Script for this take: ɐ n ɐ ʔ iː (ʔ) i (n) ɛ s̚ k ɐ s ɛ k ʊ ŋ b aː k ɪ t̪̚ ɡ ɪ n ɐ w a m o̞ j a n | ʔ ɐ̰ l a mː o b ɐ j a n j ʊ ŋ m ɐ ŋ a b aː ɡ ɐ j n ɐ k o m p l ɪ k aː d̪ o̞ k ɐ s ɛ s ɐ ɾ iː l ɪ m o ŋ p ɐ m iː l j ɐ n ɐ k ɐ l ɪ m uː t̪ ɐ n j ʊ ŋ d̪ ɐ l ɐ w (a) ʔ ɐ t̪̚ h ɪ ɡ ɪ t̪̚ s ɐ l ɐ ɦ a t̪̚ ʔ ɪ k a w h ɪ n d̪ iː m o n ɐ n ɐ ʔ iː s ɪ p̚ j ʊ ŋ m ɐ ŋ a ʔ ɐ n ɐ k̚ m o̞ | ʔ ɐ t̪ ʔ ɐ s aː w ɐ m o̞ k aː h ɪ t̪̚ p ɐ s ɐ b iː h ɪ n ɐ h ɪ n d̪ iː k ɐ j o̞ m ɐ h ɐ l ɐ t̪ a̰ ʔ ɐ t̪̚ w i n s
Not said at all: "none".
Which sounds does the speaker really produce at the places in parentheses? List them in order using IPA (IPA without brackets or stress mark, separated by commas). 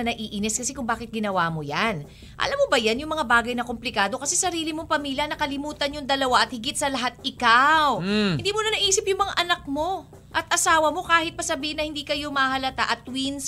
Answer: ʔ, n, a